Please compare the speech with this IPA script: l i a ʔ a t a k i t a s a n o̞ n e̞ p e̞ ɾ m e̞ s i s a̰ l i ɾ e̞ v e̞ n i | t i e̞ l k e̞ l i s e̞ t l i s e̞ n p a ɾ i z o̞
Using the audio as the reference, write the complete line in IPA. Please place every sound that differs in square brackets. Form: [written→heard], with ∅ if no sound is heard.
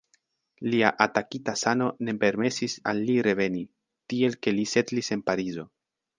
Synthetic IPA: l i a ʔ a t a k i t a s a n o̞ n e̞ p e̞ ɾ m e̞ s i s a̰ [l→lː] i ɾ e̞ v e̞ n i | t i e̞ l k e̞ l i s e̞ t l i s e̞ n p a ɾ i z o̞